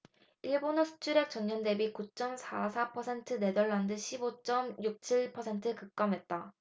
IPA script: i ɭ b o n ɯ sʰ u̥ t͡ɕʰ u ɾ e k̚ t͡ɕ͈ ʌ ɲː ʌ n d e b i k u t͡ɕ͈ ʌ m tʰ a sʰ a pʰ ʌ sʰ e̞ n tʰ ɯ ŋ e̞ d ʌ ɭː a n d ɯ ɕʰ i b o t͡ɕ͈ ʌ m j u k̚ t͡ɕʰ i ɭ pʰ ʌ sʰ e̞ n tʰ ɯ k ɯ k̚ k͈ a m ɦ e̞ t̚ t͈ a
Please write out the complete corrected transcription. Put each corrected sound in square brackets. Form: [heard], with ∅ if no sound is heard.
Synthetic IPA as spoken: i ɭ b o n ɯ sʰ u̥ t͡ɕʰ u ɾ e k̚ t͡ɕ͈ ʌ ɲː ʌ n d e b i k u t͡ɕ͈ ʌ m [sʰ] a sʰ a pʰ ʌ sʰ e̞ n tʰ ɯ [n] e̞ d ʌ ɭː a n d ɯ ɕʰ i b o t͡ɕ͈ ʌ m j u k̚ t͡ɕʰ i ɭ pʰ ʌ sʰ e̞ n tʰ ɯ k ɯ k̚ k͈ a m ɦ e̞ t̚ t͈ a